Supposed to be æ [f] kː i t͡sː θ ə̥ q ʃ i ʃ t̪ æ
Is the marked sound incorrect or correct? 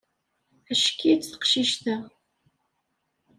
incorrect